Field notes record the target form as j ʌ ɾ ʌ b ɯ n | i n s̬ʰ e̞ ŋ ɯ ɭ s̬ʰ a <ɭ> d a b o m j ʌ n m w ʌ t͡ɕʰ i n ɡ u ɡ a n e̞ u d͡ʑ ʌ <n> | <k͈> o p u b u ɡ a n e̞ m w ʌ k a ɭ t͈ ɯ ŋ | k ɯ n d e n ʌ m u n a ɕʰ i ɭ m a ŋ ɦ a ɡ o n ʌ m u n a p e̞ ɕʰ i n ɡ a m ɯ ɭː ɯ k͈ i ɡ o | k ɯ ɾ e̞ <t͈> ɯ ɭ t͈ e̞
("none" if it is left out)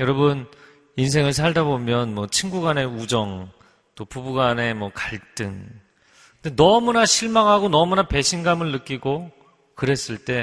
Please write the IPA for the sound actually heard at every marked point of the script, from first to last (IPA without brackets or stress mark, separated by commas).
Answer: ɭ, ŋ, t͈, s͈